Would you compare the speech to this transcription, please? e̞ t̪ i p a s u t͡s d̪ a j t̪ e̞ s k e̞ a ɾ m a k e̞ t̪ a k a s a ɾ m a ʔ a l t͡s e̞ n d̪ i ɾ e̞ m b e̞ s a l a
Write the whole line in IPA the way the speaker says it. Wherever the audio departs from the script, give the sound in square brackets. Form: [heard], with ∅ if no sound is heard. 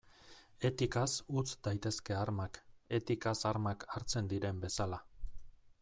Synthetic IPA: e̞ t̪ i [k] a s u t͡s d̪ a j t̪ e̞ s k e̞ a ɾ m a k e̞ t̪ [i] k a s a ɾ m a [k] a [ɾ] t͡s e̞ n d̪ i ɾ e̞ m b e̞ s a l a